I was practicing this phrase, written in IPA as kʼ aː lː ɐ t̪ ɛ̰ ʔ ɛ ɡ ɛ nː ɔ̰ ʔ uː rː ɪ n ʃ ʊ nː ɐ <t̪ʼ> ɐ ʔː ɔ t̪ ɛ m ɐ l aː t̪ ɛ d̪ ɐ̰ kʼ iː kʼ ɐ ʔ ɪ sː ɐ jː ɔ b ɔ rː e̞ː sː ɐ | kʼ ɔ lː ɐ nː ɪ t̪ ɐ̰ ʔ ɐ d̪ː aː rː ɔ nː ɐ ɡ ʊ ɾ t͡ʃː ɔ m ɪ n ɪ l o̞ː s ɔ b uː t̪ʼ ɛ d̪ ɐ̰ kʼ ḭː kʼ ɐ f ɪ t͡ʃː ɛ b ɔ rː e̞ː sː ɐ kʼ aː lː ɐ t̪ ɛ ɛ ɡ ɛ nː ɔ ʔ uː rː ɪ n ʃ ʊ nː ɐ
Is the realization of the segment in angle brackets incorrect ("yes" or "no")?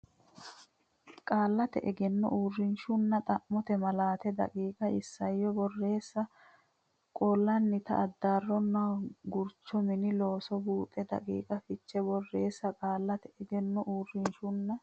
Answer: no